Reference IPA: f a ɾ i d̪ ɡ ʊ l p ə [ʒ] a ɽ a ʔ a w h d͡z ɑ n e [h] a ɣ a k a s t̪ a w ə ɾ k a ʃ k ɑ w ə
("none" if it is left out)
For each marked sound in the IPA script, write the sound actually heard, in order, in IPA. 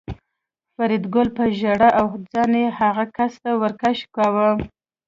ʒ, h

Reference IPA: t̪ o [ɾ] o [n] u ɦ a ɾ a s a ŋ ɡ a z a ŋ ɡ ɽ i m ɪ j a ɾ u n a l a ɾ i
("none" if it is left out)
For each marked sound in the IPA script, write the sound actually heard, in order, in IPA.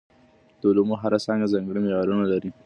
l, m

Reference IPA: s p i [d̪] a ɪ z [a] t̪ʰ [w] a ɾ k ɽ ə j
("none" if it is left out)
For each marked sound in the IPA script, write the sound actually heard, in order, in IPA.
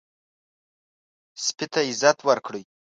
t̪, a, w

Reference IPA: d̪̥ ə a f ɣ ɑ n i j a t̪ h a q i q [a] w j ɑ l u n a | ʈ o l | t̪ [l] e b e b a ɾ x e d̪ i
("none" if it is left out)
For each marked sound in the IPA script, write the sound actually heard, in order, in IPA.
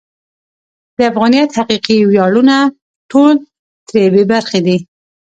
i, ɾ

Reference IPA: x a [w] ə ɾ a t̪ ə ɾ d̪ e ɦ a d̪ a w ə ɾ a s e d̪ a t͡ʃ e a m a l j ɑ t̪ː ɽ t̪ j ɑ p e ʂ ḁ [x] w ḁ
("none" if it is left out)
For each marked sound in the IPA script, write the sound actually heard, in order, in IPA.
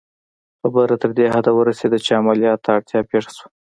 b, s

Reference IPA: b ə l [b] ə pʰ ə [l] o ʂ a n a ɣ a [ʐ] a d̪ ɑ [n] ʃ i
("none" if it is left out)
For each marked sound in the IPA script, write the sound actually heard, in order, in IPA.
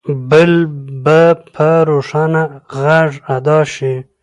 b, ɾ, ʐ, none

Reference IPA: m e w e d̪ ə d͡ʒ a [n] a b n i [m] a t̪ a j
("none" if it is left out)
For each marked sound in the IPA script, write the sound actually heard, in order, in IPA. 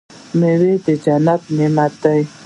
n, m

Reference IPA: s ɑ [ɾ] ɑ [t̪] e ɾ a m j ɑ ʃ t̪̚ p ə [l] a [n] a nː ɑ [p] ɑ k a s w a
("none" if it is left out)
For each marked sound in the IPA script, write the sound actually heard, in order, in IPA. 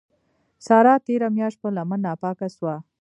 ɾ, t̪, l, m, p

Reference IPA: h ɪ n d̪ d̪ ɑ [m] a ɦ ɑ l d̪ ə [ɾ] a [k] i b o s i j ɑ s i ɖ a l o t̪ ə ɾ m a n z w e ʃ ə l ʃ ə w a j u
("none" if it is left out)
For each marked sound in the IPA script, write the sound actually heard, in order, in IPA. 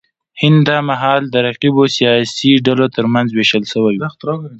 m, ɾ, q

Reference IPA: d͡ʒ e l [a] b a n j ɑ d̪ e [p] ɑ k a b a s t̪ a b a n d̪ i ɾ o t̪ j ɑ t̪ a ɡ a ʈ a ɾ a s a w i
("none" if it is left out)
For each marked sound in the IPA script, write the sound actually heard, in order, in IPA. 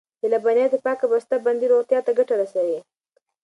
a, p

